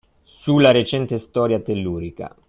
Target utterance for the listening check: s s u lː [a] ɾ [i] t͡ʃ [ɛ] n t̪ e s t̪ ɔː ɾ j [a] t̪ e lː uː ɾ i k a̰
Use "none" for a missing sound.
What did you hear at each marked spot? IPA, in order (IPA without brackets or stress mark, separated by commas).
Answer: a, e, ɛ, a